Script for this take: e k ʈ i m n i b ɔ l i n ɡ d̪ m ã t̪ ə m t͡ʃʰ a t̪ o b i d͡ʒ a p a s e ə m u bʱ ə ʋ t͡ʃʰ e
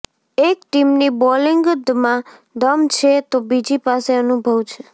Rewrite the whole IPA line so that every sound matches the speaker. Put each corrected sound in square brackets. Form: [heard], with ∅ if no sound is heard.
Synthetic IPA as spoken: e k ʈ i m n i b ɔ l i [ŋ] ɡ d̪ m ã [d̪] ə m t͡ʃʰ [e] t̪ o b i d͡ʒ [i] p a s e ə [n] u bʱ ə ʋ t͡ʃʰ e